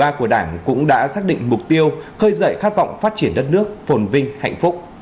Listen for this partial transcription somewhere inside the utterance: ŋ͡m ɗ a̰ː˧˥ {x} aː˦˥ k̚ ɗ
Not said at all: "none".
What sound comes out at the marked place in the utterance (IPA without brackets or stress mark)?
s